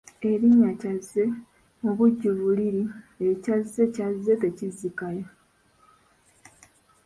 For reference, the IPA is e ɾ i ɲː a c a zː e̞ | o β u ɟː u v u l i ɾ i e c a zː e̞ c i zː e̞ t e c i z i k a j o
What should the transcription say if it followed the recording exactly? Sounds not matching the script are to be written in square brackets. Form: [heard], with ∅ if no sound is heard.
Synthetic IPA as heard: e ɾ i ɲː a c a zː e̞ | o β u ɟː u [β] u l i ɾ i e c a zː e̞ c [a] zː e̞ t e c i z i k a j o